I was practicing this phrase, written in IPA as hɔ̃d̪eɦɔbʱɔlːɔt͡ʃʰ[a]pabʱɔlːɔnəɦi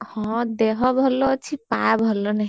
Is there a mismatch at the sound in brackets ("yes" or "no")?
yes